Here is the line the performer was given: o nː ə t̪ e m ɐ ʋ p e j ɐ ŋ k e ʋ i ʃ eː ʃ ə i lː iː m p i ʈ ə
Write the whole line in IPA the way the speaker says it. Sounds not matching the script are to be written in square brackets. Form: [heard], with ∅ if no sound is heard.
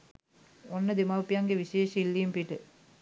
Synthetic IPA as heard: o nː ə [d̪] e m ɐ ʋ p [i] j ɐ ŋ [ɡ] e ʋ i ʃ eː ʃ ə i lː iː m p i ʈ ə